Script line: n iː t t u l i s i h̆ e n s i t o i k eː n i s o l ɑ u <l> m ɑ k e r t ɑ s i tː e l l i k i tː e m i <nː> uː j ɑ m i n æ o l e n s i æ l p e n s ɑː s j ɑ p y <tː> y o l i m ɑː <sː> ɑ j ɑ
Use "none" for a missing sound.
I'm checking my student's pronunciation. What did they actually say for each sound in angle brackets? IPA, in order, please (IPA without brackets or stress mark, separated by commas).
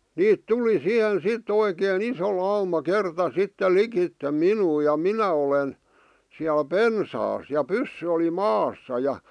none, n, sː, sː